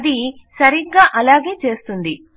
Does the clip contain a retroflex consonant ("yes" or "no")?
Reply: no